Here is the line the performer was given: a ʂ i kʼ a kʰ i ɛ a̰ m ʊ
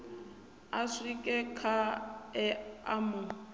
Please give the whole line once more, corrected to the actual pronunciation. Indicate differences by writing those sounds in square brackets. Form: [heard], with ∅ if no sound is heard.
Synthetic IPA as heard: a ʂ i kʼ [ɛ] kʰ [a] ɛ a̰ m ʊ